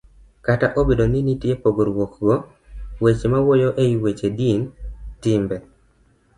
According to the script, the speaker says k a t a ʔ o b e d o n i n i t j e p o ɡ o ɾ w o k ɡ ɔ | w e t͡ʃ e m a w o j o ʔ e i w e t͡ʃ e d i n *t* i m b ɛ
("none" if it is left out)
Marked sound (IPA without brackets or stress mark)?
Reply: t